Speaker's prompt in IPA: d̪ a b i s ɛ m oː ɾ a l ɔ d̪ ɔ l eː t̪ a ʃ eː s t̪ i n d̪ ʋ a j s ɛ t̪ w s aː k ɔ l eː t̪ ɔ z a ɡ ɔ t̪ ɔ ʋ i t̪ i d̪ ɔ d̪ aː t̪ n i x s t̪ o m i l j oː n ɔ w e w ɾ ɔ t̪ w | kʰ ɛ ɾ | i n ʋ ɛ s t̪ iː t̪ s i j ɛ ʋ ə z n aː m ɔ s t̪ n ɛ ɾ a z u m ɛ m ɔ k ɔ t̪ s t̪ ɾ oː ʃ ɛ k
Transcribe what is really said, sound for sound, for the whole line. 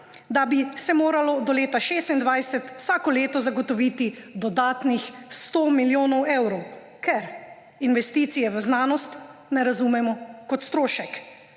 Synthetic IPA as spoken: d̪ a b i s ɛ m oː ɾ a l ɔ d̪ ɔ l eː t̪ a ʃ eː s t̪ i n d̪ ʋ a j s ɛ t̪ w s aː k ɔ l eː t̪ ɔ z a ɡ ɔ t̪ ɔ ʋ i t̪ i d̪ ɔ d̪ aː t̪ n i x s t̪ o m i l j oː n ɔ w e w ɾ ɔ w | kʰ ɛ ɾ | i n ʋ ɛ s t̪ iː t̪ s i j ɛ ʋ ə z n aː n ɔ s t̪ n ɛ ɾ a z u m ɛ m ɔ k ɔ t̪ s t̪ ɾ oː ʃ ɛ k